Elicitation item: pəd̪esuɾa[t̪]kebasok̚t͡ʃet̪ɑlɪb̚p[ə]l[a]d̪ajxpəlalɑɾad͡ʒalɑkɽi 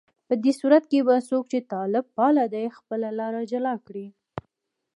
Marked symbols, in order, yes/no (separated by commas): yes, no, yes